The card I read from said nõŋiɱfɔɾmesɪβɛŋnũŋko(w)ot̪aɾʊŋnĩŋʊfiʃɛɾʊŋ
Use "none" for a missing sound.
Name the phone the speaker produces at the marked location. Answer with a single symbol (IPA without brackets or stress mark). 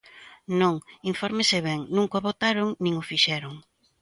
β